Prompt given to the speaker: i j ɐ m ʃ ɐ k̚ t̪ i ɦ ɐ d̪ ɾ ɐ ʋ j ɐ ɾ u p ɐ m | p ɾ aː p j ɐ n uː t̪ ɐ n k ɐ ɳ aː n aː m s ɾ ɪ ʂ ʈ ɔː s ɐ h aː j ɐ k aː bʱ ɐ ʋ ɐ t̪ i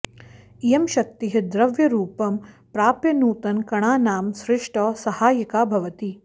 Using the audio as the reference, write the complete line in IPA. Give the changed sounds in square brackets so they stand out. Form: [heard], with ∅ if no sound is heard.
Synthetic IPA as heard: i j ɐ m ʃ ɐ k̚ t̪ i ɦ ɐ d̪ ɾ ɐ ʋ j ɐ ɾ [uː] p ɐ m | p ɾ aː p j ɐ n uː t̪ ɐ n k ɐ ɳ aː n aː m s ɾ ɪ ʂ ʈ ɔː s ɐ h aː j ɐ k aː bʱ ɐ ʋ ɐ t̪ i